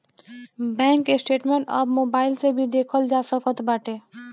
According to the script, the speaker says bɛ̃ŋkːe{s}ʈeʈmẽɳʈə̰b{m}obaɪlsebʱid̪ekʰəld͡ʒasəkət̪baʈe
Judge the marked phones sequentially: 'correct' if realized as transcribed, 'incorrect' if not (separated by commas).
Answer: correct, correct